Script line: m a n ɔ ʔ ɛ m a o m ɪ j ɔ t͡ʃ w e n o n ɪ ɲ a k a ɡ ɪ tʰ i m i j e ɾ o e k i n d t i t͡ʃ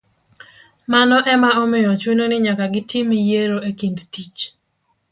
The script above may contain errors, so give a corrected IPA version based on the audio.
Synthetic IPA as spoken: m a n ɔ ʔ ɛ m a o m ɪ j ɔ t͡ʃ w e n o n ɪ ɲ a k a ɡ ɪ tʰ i m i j e ɾ o e k i n d t i t͡ʃ